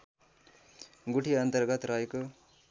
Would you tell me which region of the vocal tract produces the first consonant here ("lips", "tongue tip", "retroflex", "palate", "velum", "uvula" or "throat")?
velum